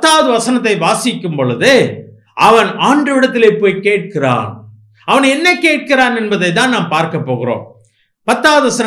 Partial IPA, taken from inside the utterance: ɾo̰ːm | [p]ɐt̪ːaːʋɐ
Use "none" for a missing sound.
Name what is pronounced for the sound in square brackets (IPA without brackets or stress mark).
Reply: p